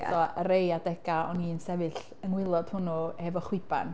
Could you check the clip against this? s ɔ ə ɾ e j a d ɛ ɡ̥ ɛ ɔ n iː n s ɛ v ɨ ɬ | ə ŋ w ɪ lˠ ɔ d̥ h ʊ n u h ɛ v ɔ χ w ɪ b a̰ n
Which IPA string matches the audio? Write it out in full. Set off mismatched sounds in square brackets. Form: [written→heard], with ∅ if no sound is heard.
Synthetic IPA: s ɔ ə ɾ e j a d ɛ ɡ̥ [ɛ→a] ɔ n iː n s ɛ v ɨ ɬ | ə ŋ w ɪ lˠ ɔ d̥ h ʊ n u h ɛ v ɔ χ w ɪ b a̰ n